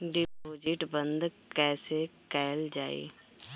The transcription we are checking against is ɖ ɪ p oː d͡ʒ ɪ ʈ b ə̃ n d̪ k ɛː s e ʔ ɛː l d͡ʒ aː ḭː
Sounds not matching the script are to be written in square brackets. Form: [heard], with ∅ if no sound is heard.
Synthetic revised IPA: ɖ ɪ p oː d͡ʒ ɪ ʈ b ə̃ n d̪ k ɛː s e [k] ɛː l d͡ʒ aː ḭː